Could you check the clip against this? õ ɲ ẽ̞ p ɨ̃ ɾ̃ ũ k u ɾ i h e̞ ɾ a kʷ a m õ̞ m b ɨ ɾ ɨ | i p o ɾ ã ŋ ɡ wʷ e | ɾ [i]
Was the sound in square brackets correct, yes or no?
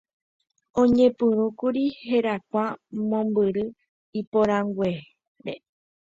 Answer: no